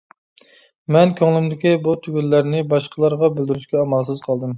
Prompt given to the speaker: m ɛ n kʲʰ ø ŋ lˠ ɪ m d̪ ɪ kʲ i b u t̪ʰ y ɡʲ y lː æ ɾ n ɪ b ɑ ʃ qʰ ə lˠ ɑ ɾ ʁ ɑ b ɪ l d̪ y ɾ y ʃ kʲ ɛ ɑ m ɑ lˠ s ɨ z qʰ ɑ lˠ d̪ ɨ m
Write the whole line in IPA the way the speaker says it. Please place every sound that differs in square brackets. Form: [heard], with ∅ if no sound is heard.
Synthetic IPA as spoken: m ɛ n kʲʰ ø ŋ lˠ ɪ m d̪ ɪ kʲ i b u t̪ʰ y ɡʲ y lː æ ɾ n ɪ b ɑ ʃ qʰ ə lˠ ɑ ɾ ʁ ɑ b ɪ l d̪ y ɾ y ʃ kʲ ɛ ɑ m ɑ lˠ s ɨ z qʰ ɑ lˠ d̪ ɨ m